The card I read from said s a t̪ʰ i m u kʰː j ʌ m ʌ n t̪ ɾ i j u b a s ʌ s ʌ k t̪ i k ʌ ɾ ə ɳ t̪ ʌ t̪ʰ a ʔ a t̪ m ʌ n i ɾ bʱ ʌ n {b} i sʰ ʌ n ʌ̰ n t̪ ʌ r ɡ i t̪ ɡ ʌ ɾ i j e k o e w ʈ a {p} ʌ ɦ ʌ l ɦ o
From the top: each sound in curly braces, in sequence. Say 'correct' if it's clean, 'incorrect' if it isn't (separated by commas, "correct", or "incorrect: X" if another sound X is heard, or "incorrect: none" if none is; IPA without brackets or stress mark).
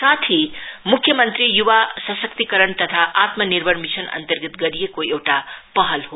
incorrect: m, correct